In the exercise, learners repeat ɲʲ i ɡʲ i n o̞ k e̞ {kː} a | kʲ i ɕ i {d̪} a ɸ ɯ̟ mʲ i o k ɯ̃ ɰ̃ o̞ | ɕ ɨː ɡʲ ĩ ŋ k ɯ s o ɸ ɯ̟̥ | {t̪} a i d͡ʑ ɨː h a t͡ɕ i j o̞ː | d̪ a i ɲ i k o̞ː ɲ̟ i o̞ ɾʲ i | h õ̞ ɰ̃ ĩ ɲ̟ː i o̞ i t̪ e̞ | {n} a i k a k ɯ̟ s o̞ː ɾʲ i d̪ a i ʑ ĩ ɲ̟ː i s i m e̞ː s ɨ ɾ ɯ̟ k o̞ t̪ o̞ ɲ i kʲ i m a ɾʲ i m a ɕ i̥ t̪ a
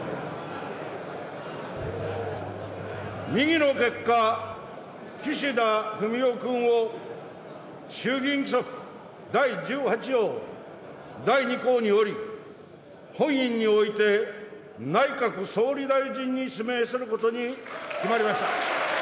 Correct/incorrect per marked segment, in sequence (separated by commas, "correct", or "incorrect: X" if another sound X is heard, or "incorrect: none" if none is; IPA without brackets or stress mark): correct, correct, incorrect: d̪, correct